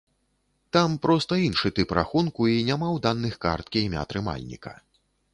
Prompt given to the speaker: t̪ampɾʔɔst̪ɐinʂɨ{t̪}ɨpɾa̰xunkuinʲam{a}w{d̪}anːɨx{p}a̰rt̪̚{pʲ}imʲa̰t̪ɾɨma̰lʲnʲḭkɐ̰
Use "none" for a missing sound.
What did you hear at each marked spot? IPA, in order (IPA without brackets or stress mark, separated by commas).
t̪, a, d̪, k, kʲ